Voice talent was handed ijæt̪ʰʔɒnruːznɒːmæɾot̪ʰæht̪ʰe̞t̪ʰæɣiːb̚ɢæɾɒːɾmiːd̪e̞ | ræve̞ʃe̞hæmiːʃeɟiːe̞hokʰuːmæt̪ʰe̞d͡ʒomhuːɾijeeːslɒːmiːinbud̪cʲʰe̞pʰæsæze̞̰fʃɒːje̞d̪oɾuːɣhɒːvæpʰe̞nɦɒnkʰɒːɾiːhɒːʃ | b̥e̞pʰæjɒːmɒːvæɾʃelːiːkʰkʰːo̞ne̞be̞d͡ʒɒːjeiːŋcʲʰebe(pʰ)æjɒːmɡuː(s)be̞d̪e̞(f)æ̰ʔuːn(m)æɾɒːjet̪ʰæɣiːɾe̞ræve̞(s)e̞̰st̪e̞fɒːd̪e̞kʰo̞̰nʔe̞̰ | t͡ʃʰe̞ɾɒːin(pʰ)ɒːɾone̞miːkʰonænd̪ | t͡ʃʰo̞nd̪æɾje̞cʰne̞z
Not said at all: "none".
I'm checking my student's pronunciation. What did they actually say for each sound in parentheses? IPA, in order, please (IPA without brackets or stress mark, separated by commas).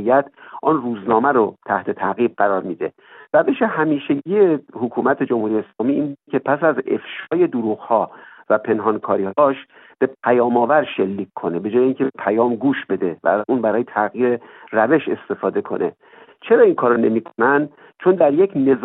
pʰ, ʃ, v, b, ʃ, kʰ